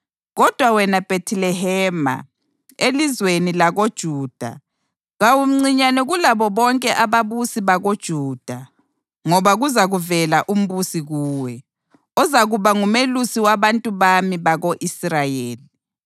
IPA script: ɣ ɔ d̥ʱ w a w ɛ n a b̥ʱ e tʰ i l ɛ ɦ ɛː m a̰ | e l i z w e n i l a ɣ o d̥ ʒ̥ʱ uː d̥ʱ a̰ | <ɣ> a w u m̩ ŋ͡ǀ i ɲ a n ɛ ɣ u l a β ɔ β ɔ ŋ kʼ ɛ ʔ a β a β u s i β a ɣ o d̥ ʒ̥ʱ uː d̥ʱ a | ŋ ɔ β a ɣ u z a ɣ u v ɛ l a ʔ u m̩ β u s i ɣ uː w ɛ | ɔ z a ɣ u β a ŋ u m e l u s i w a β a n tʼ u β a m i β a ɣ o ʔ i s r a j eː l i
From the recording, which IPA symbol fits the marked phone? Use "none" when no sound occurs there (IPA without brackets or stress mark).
ɣ